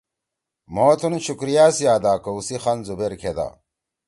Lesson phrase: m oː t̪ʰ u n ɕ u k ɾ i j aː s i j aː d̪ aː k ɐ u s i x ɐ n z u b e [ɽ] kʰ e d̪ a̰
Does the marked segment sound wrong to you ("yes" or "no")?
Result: yes